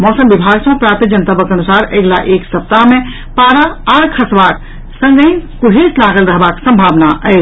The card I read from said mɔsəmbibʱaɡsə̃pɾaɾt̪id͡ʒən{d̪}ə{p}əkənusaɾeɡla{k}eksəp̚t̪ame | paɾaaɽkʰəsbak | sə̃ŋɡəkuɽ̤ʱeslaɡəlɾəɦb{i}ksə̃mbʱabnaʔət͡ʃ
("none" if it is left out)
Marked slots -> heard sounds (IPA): t̪, b, ʔ, a

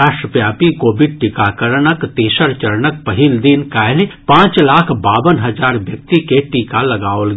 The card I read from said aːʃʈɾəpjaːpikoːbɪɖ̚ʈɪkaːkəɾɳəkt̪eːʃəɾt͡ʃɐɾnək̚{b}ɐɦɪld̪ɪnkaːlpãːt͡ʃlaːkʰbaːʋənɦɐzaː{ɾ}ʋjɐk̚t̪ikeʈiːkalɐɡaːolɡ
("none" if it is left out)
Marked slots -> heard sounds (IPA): p, ɾ

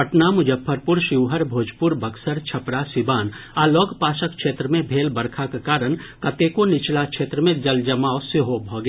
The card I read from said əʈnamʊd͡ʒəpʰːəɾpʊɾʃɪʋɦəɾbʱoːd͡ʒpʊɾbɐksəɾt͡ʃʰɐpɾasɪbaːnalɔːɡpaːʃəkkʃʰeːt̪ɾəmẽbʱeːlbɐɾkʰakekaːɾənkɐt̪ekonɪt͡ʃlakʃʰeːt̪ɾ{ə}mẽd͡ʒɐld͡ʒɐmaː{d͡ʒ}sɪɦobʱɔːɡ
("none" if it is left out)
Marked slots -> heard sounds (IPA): ə, none

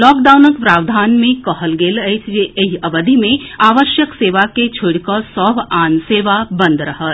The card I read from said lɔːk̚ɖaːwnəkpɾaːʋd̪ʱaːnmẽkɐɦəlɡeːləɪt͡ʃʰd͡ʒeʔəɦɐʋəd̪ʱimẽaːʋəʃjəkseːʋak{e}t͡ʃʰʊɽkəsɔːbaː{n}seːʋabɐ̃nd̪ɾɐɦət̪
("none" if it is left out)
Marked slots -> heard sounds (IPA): e, n

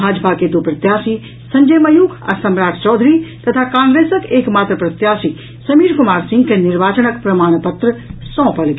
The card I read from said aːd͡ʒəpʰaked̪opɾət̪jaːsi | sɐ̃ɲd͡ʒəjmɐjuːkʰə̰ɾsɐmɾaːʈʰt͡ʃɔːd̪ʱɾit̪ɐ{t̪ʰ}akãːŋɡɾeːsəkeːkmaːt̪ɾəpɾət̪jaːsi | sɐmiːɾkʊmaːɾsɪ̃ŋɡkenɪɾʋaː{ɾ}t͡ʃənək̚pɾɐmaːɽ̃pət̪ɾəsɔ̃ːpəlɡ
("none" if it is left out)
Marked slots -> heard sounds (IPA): t̪ʰ, none

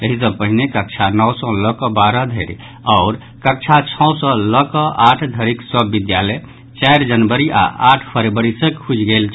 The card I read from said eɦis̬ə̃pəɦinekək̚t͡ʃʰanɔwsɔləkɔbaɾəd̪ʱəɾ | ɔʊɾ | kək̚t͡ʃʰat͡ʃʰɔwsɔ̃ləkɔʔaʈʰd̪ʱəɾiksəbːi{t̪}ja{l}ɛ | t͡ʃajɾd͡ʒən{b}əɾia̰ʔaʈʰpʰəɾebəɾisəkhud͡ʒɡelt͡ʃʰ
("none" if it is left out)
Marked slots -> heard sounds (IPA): d̪, l, b

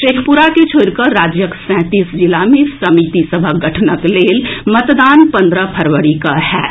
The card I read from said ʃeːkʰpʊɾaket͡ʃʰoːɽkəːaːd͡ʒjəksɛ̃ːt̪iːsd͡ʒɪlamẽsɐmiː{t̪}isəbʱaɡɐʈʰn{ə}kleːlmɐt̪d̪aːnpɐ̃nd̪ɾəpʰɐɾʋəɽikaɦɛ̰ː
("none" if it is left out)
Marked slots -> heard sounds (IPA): t̪, ə

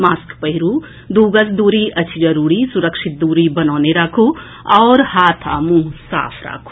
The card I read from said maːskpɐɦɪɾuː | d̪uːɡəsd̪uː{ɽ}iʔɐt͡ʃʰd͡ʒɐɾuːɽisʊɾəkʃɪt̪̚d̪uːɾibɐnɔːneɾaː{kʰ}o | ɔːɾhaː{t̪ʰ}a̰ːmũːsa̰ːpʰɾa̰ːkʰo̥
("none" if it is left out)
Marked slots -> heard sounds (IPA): ɾ, kʰ, t̪ʰ

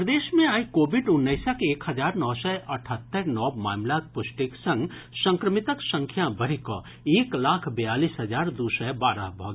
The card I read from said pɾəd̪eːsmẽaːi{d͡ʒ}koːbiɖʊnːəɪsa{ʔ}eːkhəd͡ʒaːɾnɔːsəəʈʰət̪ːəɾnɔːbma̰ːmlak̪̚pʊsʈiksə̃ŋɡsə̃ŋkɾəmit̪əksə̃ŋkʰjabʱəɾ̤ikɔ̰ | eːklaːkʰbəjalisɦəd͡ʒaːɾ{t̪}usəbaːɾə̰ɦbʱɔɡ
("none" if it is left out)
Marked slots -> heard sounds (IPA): none, k, d̪

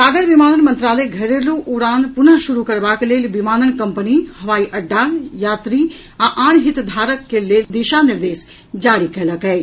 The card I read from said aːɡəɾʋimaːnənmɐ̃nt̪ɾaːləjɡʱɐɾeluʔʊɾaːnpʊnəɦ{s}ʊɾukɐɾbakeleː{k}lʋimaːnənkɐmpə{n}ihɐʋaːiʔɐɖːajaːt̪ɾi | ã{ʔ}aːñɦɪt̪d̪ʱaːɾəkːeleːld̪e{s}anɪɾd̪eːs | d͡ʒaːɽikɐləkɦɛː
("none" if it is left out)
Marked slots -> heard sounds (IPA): ʃ, none, n, ʔ, ʃ

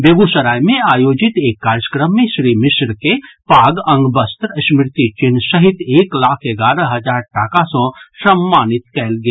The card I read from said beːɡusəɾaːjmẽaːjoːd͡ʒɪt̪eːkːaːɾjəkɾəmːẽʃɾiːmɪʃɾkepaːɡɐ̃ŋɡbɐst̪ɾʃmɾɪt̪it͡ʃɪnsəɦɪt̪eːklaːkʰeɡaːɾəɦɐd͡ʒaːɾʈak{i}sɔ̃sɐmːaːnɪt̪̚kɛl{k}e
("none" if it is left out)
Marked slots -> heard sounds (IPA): a, ɡ

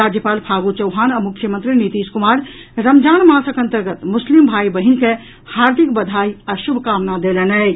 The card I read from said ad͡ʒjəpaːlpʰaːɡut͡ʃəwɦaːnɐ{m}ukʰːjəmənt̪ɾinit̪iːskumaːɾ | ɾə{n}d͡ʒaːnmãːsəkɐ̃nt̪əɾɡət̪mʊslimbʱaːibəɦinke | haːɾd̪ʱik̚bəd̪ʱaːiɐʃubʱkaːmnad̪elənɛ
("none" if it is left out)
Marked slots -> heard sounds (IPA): m, m

